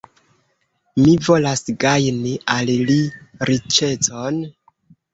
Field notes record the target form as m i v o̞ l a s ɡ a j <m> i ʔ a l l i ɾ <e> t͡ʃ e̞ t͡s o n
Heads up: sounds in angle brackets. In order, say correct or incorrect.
incorrect: n, incorrect: i

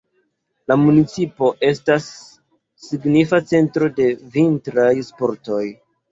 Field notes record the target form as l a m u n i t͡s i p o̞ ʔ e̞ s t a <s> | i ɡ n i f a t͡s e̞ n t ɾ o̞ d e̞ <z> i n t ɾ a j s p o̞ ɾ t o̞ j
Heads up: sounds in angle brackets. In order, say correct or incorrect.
incorrect: sː, incorrect: v

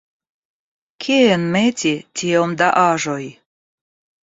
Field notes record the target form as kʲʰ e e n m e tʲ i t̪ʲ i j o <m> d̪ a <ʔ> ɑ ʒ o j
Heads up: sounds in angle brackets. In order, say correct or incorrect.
correct, correct

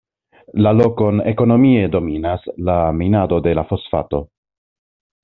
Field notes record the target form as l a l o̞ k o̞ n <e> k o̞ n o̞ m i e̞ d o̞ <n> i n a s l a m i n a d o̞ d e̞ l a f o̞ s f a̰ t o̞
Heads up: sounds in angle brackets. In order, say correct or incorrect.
correct, incorrect: m

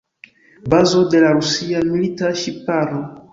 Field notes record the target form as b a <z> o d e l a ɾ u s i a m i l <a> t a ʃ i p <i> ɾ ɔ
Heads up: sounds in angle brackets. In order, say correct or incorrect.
correct, incorrect: i, incorrect: a

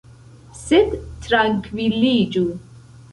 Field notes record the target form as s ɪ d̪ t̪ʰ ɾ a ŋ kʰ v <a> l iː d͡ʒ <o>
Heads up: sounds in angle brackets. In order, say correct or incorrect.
incorrect: i, incorrect: u

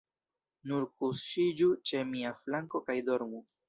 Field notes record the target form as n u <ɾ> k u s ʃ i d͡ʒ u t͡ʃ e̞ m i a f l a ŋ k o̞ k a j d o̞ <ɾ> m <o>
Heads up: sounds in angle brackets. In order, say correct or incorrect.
correct, correct, incorrect: u

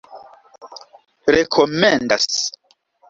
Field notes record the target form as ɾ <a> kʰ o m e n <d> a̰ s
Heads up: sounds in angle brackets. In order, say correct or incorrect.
incorrect: e, correct

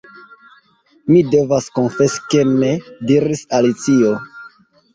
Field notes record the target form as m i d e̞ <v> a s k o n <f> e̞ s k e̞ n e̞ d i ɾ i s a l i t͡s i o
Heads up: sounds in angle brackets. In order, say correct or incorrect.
correct, correct

